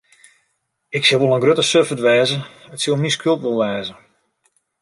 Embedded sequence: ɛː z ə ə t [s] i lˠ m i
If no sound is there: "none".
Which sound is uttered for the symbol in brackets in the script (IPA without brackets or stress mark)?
s